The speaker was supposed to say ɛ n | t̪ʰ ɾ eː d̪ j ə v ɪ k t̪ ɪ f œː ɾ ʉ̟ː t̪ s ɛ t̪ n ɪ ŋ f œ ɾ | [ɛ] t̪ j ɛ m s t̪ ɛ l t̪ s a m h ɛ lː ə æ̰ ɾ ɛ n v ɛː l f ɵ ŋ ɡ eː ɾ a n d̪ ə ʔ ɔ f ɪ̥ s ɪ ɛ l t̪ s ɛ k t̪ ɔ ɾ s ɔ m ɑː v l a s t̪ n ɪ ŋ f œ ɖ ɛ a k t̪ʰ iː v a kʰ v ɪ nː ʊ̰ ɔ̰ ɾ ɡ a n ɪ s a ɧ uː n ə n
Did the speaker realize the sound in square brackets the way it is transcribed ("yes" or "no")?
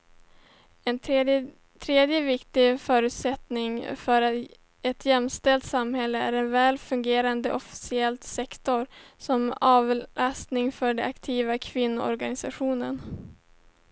yes